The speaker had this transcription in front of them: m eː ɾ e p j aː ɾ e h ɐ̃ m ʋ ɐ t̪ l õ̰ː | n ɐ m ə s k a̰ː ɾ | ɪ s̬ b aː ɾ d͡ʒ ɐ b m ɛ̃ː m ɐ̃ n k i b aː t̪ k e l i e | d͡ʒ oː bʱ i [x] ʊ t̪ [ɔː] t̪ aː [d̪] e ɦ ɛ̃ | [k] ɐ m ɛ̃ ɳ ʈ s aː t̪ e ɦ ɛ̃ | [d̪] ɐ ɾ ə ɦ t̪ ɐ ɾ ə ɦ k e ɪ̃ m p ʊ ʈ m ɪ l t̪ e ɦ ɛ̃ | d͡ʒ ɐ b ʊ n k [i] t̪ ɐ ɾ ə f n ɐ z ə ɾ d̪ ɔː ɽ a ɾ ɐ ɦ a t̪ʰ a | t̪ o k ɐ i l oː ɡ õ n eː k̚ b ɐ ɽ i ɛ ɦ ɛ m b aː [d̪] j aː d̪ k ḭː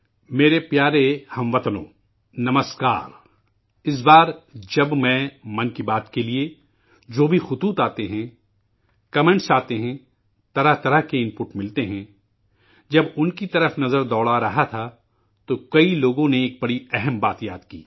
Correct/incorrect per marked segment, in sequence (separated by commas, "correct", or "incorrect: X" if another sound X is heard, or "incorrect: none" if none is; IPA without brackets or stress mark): correct, incorrect: uː, incorrect: t̪, correct, incorrect: t̪, correct, incorrect: t̪